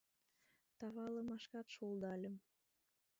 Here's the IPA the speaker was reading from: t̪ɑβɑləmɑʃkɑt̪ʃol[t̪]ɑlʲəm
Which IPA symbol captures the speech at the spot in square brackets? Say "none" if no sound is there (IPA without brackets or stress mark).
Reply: d̪